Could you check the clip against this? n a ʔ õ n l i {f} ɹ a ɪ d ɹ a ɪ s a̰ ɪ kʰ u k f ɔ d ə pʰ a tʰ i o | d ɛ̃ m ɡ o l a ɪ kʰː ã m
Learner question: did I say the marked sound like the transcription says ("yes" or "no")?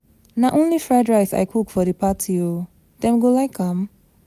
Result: yes